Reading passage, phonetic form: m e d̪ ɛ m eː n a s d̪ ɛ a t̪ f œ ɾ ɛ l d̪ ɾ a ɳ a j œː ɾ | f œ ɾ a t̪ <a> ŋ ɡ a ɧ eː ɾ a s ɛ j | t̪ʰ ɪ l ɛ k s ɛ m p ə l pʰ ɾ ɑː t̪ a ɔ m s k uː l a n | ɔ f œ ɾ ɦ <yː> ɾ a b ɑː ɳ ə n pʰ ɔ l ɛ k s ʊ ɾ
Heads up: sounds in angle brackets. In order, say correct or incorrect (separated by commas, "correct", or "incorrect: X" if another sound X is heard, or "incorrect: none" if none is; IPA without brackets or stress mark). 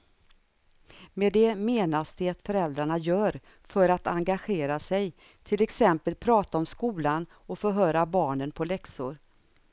correct, incorrect: œː